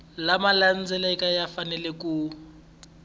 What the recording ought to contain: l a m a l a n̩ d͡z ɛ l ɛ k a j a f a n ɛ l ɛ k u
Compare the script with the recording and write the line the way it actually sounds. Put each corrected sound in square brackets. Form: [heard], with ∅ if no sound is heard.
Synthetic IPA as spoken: l a m a l a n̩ d͡z ɛ l ɛ k a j a f a n ɛ l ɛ k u